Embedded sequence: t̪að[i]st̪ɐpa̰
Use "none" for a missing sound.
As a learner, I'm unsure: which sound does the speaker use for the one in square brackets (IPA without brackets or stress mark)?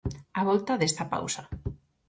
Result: e